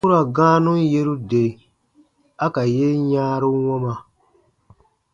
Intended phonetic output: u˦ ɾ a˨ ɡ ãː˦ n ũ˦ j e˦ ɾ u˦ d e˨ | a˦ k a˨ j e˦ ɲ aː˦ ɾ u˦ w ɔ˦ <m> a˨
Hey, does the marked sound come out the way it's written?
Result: yes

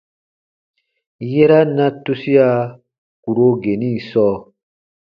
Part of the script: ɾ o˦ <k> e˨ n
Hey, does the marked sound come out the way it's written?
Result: no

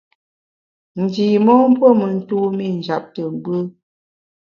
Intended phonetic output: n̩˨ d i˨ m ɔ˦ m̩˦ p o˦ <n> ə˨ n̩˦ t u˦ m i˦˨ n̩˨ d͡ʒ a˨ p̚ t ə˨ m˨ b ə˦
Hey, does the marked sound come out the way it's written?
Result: no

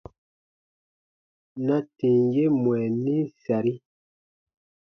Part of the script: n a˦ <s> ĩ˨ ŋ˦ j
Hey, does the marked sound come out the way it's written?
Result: no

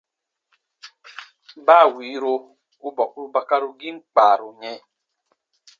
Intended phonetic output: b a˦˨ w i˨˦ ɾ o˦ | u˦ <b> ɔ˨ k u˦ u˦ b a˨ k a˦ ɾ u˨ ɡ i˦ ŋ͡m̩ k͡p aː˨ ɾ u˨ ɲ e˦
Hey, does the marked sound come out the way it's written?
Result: yes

